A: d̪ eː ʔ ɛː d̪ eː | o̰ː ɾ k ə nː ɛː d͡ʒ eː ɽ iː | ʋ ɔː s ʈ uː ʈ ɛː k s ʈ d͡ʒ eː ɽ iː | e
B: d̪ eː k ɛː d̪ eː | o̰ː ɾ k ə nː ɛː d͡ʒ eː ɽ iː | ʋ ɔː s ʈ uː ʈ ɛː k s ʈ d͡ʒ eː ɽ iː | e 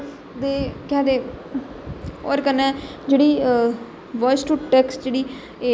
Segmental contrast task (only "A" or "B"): B